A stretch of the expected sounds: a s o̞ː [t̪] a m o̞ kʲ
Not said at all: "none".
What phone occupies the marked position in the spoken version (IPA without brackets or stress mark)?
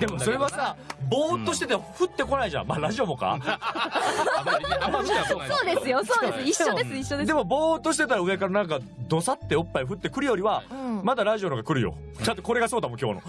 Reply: d̪